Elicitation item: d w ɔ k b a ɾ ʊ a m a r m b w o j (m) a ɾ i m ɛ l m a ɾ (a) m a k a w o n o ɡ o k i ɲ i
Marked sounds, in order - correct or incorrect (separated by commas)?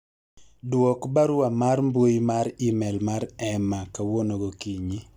correct, incorrect